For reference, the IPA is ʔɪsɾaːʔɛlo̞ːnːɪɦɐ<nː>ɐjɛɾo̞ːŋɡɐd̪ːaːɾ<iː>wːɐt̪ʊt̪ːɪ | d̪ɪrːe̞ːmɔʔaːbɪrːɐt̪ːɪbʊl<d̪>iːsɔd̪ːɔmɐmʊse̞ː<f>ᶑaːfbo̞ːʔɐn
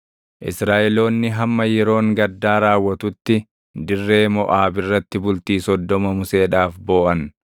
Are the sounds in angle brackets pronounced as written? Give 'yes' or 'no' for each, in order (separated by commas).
no, no, no, no